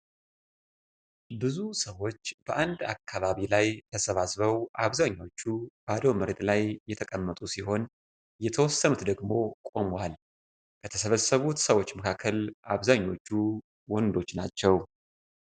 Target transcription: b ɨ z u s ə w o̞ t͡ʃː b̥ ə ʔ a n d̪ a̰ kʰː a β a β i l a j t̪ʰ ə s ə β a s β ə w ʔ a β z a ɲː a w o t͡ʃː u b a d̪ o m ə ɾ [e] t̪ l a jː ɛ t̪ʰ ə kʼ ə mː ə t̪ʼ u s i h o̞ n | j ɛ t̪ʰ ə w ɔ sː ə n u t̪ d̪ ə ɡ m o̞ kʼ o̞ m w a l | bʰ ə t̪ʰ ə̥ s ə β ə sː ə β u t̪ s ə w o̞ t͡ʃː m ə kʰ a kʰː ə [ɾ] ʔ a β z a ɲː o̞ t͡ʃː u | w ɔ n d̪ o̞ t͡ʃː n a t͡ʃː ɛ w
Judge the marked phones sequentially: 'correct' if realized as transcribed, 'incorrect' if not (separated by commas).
correct, incorrect